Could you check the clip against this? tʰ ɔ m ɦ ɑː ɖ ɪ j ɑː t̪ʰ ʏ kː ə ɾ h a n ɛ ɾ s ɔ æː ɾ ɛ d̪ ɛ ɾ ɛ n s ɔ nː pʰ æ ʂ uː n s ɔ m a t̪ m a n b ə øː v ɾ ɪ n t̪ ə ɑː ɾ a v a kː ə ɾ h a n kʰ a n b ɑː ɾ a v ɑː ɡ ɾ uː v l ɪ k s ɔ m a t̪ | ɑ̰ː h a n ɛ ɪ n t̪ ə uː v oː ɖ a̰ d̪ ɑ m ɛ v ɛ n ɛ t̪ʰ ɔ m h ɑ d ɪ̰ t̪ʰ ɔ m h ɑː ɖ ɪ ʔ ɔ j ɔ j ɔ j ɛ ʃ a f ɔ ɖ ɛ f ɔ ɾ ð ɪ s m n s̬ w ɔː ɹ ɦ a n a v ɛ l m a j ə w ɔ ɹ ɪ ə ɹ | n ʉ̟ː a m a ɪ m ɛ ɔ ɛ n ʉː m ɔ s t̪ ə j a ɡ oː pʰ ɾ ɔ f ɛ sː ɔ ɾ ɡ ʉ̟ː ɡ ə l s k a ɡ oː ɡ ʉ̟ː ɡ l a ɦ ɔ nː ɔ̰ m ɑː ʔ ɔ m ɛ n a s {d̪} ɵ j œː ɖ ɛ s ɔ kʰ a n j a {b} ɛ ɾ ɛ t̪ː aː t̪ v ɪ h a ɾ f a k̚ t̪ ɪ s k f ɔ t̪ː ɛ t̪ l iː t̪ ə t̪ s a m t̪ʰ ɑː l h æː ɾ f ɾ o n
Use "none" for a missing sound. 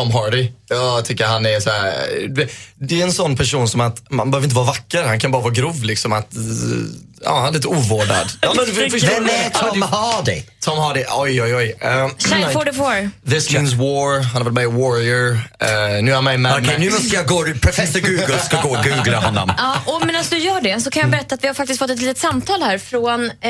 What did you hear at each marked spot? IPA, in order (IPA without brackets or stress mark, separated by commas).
d̪, b